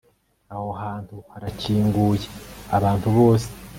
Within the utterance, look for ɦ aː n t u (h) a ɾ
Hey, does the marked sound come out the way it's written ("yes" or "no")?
yes